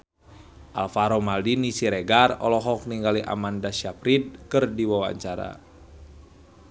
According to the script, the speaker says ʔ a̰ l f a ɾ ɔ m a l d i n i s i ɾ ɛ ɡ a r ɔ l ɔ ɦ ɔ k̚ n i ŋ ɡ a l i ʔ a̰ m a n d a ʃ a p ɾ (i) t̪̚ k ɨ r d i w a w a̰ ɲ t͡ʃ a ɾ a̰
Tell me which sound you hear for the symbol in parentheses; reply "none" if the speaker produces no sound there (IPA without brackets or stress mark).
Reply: i